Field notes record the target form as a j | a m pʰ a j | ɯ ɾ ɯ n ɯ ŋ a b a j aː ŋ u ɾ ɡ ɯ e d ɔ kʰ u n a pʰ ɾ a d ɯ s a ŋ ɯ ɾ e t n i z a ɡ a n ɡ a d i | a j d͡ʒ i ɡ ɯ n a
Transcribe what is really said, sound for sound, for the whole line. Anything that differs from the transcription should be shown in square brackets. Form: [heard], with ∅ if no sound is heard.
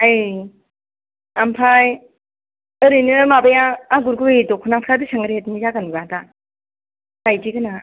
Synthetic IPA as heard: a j | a m pʰ a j | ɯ ɾ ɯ n ɯ [m] a b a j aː [ɡ] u ɾ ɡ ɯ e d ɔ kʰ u n a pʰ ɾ a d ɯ s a ŋ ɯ ɾ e t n i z a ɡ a n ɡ a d [a] | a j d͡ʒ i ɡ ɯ n a